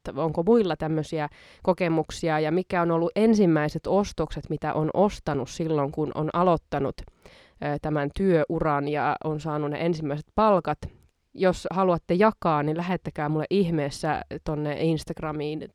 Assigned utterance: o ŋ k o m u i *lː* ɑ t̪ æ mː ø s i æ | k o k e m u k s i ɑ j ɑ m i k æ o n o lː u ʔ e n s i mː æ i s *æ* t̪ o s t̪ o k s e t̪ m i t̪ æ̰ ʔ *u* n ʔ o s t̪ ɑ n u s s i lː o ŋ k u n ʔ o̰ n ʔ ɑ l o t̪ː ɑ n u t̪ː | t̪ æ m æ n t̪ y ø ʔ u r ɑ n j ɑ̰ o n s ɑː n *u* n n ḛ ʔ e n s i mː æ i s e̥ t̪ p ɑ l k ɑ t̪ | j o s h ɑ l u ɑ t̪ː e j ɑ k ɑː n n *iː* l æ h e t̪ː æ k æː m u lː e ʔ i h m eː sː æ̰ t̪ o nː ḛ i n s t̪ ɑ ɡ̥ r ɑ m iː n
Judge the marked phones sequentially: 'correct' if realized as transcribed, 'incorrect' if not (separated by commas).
correct, incorrect, incorrect, correct, incorrect